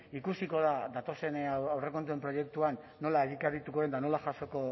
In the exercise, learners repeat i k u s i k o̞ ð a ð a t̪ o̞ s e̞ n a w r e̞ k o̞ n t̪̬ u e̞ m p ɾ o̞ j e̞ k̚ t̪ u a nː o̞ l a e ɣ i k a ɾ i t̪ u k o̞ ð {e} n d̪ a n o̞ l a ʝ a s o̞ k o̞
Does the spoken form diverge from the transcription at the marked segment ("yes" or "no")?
no